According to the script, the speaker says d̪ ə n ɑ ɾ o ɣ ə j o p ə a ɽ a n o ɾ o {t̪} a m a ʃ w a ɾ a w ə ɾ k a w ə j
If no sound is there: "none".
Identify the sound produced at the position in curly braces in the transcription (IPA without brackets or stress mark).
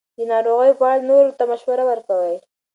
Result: t̪